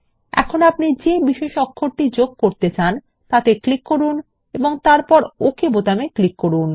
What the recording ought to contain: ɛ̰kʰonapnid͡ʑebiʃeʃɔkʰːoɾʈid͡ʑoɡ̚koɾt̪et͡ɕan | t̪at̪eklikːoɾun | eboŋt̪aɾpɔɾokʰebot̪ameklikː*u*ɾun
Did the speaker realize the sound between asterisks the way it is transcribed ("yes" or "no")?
no